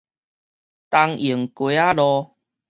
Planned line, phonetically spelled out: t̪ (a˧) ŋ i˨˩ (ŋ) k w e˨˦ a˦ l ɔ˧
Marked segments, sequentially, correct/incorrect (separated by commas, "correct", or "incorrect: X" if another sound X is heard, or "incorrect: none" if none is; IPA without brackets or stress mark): correct, correct